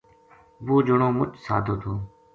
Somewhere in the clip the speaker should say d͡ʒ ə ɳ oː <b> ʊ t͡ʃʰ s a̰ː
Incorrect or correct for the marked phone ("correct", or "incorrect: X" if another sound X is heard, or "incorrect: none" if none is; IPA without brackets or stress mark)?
incorrect: m